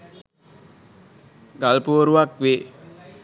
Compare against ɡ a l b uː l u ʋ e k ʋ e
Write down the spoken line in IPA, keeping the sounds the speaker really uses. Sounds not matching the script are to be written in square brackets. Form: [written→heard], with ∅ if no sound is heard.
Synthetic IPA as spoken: ɡ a l [b→p] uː [l→ɾ] u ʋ [e→a] k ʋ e